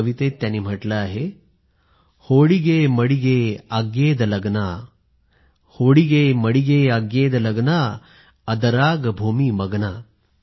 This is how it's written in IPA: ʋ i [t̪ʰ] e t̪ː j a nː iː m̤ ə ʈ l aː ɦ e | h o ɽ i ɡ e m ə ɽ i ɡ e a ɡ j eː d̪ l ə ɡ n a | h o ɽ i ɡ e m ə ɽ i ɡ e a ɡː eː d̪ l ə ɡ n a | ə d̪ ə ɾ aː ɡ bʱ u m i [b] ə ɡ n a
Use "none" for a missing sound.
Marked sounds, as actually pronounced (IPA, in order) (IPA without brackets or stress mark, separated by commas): t̪, m